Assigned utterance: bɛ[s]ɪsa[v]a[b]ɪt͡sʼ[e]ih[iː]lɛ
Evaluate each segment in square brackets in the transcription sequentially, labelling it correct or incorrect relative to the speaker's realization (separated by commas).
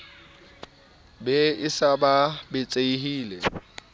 incorrect, incorrect, correct, correct, correct